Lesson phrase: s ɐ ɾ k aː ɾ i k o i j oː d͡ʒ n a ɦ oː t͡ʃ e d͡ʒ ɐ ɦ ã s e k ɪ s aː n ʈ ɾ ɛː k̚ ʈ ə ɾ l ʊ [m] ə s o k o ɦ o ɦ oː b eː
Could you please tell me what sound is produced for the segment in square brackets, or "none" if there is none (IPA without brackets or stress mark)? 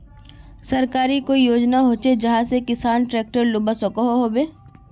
b